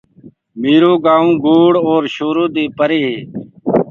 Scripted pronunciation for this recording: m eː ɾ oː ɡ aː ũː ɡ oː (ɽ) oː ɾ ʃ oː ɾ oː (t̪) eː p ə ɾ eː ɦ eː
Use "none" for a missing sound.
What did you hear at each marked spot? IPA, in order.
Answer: ɽ, d̪

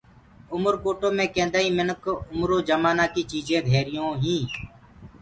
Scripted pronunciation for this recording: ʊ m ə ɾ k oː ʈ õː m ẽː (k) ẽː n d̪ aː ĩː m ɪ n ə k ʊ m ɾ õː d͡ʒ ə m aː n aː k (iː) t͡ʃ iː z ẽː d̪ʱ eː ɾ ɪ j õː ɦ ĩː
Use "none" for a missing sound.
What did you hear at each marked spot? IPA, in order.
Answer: k, iː

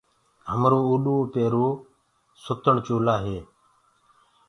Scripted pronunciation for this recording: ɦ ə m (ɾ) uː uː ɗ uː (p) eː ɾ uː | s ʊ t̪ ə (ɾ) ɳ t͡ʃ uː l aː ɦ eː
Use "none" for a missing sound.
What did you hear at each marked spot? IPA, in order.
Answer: ɾ, p, none

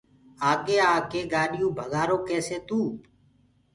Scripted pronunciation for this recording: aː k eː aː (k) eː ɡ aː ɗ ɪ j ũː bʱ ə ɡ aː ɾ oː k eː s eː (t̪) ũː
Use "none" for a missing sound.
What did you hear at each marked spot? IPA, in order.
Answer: k, t̪

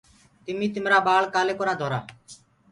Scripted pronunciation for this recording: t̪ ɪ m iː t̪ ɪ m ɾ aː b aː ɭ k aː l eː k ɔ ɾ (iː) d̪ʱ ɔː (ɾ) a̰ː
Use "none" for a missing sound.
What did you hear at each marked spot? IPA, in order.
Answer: aː, ɾ

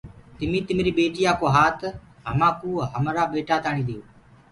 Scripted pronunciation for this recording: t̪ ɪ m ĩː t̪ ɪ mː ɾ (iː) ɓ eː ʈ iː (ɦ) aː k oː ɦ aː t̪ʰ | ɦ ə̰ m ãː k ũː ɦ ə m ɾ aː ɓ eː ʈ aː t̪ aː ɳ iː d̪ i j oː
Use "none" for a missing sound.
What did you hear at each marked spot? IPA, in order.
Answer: iː, none

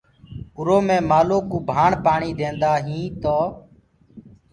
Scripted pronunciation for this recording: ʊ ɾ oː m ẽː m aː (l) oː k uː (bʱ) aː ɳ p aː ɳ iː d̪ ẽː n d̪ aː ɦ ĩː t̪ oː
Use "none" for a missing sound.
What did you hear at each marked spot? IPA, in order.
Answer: l, bʱ

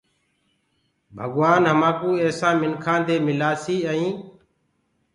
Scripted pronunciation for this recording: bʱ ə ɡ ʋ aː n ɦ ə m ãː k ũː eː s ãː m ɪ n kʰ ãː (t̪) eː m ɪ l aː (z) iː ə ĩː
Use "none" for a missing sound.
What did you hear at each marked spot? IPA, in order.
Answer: d̪, s

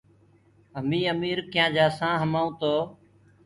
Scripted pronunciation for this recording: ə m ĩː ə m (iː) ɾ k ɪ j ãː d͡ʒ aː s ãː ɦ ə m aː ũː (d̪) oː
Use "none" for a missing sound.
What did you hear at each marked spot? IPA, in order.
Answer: iː, t̪

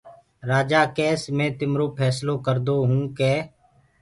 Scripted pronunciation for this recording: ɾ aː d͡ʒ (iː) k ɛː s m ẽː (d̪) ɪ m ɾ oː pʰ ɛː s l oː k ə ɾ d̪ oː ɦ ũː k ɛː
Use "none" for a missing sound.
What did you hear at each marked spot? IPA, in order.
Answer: aː, t̪

